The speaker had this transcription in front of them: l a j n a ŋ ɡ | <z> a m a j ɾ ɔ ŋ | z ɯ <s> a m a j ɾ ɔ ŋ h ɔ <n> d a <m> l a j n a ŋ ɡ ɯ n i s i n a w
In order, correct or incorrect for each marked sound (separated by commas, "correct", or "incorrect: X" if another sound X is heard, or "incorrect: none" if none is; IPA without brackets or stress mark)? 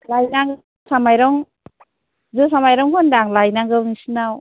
incorrect: s, correct, correct, incorrect: ŋ